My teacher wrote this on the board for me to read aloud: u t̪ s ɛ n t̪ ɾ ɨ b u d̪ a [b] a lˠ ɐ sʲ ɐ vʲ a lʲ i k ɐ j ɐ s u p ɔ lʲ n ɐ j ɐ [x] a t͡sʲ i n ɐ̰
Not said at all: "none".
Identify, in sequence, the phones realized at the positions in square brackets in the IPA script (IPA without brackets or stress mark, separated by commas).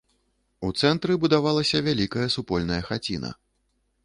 v, x